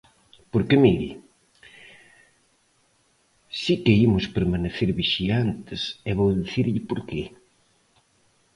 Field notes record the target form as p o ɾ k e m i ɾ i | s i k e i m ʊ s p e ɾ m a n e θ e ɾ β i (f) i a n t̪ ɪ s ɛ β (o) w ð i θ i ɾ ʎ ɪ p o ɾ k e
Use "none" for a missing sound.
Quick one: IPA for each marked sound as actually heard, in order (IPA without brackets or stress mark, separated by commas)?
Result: ʃ, o